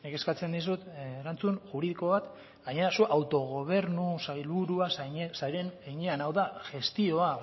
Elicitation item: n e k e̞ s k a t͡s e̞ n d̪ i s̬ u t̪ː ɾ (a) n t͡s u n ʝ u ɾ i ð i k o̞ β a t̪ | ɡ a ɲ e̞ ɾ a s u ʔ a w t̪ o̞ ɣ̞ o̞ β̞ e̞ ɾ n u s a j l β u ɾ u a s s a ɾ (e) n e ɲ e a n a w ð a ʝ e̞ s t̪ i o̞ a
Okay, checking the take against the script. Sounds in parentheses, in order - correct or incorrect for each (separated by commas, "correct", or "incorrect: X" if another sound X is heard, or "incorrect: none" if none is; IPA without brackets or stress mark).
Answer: correct, correct